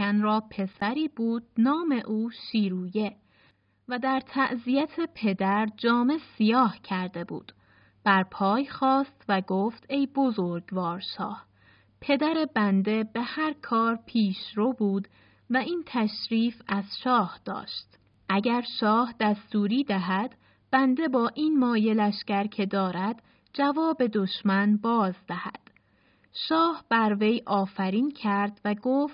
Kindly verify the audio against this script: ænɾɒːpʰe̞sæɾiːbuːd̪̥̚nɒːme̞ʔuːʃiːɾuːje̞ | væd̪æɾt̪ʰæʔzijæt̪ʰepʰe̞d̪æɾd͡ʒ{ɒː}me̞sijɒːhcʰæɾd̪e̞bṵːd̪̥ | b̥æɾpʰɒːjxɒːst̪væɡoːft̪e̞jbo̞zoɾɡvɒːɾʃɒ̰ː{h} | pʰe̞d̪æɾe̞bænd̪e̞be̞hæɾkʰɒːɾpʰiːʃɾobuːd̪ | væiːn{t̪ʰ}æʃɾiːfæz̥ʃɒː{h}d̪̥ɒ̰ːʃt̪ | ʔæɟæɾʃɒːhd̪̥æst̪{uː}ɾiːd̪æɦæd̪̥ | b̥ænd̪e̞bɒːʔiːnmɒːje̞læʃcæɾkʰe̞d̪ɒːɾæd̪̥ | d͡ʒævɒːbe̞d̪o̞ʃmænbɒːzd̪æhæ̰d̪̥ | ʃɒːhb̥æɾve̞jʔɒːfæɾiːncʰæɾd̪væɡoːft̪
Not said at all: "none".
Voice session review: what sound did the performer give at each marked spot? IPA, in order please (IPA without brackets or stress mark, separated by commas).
ɒː, h, t̪ʰ, h, uː